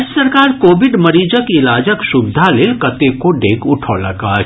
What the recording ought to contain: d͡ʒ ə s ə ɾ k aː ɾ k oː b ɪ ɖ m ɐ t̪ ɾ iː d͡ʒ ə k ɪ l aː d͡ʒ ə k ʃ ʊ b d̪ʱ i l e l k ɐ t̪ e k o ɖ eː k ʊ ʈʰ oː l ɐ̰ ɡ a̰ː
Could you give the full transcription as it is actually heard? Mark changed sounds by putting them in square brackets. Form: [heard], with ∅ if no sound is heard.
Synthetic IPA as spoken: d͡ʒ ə s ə ɾ k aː ɾ k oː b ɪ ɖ m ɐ [∅] ɾ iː d͡ʒ ə k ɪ l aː d͡ʒ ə k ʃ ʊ b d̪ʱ [a] l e l k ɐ t̪ e k o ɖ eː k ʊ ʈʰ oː l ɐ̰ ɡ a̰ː